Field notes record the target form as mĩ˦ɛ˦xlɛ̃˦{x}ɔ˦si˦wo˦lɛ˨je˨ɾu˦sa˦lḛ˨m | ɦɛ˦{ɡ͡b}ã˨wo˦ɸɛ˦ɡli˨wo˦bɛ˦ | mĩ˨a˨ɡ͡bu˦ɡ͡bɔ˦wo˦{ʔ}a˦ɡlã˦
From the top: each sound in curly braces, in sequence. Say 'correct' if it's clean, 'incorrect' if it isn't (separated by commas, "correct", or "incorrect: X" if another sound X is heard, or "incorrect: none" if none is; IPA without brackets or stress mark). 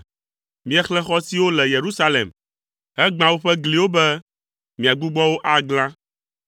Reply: correct, correct, correct